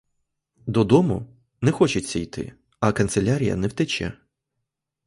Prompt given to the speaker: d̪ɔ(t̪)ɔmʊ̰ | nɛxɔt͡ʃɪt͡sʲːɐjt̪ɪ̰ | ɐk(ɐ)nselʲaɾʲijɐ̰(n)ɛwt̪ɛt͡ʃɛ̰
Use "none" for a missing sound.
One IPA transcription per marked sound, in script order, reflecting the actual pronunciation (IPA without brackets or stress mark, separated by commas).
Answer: d̪, ɐ, n